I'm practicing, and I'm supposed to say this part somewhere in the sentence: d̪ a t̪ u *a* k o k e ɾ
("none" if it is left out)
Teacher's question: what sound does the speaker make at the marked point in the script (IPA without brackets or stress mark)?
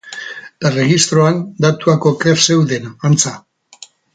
a